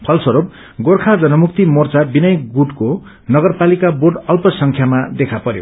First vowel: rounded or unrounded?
unrounded